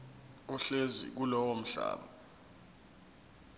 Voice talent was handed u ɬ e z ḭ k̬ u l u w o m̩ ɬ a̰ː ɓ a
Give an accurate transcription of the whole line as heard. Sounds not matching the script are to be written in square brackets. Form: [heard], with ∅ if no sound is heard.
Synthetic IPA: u ɬ e z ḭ k̬ u l [ɔ] w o m̩ ɬ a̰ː ɓ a